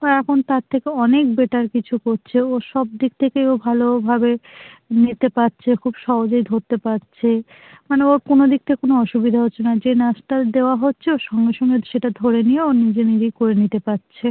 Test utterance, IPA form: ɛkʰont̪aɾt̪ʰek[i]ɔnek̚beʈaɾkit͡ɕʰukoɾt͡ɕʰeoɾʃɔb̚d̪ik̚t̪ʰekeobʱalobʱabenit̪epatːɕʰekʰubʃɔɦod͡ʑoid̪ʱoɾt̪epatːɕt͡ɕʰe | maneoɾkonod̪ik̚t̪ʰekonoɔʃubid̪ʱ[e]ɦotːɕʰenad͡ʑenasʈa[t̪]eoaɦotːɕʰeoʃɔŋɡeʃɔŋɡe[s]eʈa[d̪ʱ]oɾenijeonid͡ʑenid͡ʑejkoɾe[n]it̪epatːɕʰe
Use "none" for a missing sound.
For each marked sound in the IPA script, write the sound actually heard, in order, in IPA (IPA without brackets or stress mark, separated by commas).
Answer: e, a, d̪, ʃ, d̪ʱ, n